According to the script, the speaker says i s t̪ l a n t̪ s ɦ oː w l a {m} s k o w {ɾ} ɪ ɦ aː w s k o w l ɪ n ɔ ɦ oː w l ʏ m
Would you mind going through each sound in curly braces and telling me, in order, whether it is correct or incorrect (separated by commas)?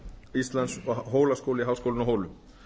incorrect, incorrect